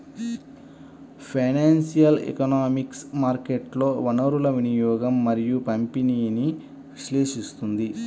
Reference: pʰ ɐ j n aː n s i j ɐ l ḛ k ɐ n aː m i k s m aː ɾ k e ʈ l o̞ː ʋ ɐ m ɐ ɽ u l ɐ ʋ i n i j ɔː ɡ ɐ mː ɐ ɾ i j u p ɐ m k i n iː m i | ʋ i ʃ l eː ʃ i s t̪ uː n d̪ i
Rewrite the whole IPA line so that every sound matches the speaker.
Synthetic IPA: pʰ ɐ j n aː n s i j ɐ l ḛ k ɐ n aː m i k s m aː ɾ k e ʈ l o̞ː ʋ ɐ n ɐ ɾ u l ɐ ʋ i n i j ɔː ɡ ɐ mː ɐ ɾ i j u p ɐ m p i n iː n i | ʋ i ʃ l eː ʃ i s t̪ u n d̪ i